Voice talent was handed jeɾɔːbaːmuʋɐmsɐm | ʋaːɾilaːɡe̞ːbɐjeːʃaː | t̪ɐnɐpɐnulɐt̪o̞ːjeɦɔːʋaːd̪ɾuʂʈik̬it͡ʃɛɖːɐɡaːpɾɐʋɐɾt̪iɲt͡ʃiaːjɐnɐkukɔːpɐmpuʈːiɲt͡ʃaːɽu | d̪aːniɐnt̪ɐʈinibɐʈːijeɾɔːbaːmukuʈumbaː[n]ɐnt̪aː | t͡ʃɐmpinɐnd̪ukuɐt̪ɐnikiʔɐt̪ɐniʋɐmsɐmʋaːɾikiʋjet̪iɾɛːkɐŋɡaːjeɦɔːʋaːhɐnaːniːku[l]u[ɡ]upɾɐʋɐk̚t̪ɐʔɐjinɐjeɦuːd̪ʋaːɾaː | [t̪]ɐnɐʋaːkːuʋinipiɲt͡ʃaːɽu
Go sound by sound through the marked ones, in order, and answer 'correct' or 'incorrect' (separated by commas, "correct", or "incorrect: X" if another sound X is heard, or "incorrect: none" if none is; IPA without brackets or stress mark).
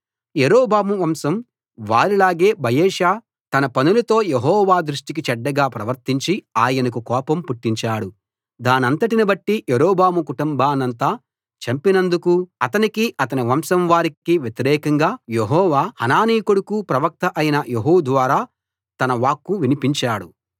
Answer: correct, incorrect: ɽ, incorrect: k, correct